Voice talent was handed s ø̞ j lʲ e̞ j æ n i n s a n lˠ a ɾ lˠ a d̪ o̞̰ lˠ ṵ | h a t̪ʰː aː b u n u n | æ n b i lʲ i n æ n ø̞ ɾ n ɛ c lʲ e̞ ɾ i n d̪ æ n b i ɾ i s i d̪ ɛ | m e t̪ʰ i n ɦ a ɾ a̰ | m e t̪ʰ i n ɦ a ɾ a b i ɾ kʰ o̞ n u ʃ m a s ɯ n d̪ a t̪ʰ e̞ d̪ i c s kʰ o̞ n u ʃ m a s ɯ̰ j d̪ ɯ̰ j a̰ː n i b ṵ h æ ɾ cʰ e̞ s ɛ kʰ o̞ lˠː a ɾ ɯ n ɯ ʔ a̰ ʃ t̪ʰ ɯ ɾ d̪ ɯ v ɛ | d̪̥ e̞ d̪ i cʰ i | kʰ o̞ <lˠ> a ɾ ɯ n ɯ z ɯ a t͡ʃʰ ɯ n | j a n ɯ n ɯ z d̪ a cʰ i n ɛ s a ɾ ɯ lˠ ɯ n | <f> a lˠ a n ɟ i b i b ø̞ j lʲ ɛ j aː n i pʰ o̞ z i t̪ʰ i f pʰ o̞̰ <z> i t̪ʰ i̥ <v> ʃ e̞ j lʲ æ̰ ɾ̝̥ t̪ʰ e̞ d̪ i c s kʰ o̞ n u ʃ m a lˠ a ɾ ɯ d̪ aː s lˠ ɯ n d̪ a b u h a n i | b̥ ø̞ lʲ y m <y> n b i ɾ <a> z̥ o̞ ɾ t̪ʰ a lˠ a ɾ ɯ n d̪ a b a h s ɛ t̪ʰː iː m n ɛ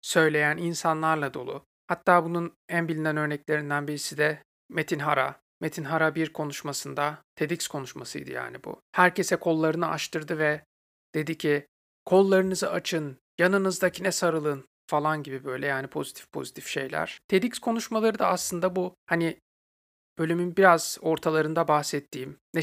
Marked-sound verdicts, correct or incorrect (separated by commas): incorrect, correct, correct, incorrect, correct, correct